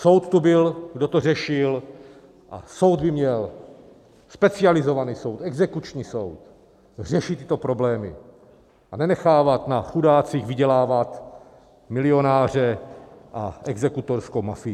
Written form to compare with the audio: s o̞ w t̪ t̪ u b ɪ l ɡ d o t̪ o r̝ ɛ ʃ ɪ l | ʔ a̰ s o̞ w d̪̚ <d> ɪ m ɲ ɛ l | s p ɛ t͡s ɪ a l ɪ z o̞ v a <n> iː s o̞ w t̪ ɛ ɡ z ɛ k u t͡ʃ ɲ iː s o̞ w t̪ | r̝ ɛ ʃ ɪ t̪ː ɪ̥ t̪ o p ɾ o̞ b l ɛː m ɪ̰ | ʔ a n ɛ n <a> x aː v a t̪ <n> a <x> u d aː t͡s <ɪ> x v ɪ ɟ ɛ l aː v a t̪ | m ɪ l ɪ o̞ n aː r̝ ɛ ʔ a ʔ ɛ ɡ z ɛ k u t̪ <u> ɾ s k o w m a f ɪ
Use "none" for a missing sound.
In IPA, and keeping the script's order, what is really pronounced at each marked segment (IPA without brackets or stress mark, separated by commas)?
b, n, ɛ, n, x, i, o